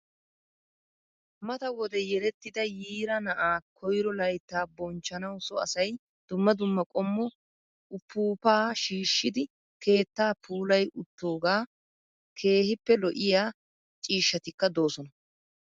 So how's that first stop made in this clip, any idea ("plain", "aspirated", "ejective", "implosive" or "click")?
plain